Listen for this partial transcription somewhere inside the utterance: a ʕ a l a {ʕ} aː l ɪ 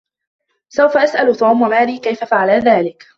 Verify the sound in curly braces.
incorrect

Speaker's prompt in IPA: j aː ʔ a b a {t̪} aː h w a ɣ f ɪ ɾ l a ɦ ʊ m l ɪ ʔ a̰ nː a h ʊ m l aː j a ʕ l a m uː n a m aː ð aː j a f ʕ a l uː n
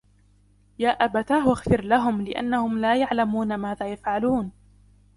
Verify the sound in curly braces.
correct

